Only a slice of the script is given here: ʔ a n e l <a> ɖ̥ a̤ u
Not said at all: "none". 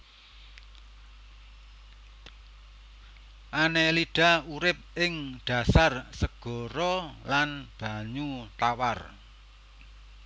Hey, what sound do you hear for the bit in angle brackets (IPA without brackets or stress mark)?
i